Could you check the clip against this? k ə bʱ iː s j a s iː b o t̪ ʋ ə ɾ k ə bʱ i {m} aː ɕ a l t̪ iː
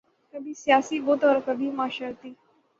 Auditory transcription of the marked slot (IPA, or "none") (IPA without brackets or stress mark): m